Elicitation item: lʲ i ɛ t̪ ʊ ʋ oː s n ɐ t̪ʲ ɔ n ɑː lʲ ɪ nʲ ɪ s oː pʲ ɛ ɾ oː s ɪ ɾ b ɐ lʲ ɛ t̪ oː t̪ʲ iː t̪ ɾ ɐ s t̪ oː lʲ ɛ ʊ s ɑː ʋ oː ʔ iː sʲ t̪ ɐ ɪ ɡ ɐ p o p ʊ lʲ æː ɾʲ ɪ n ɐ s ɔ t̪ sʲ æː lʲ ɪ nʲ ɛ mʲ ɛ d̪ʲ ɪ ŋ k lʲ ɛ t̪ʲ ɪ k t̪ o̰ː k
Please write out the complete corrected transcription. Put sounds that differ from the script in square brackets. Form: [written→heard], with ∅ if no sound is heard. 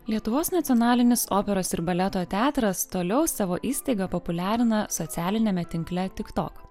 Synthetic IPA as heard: lʲ i ɛ t̪ ʊ ʋ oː s n ɐ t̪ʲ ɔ n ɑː lʲ ɪ nʲ ɪ s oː pʲ ɛ ɾ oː s ɪ ɾ b ɐ lʲ ɛ t̪ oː t̪ʲ [iː→æː] t̪ ɾ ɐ s t̪ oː lʲ ɛ ʊ s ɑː ʋ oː ʔ iː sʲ t̪ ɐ ɪ ɡ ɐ p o p ʊ lʲ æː ɾʲ ɪ n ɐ s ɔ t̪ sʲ æː lʲ ɪ nʲ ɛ mʲ ɛ [d̪ʲ→t̪ʲ] ɪ ŋ k lʲ ɛ t̪ʲ ɪ k t̪ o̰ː k